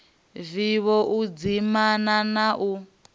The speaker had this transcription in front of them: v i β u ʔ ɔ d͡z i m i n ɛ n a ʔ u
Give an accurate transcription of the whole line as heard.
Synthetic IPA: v i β ɔ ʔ u d͡z i m a n a n a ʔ u